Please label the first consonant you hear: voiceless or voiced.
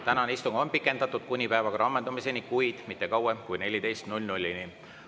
voiceless